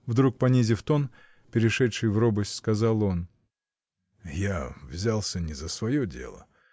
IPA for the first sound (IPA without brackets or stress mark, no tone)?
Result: v